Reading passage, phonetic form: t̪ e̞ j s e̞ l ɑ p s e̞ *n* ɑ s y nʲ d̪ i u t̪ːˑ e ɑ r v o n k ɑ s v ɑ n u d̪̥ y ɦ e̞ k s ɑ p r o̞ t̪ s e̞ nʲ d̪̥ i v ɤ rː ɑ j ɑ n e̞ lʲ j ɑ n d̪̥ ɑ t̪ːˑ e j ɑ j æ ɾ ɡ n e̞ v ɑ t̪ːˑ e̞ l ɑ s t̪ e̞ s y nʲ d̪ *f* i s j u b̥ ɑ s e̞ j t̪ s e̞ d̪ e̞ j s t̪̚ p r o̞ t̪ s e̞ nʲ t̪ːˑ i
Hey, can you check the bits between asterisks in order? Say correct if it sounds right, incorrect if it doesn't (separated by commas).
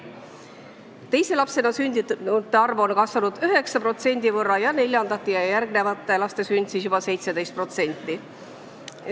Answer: correct, incorrect